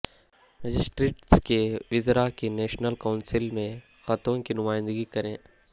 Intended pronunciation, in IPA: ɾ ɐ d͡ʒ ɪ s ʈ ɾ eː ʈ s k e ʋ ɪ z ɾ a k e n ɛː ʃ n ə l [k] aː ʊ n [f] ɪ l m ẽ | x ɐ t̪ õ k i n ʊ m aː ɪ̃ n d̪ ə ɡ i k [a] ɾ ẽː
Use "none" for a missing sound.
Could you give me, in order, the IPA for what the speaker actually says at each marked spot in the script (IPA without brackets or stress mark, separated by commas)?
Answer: k, s, ɐ